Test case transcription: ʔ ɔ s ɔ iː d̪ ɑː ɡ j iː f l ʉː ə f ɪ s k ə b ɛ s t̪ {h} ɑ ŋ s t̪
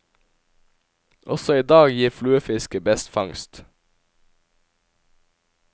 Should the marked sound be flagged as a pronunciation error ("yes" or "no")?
yes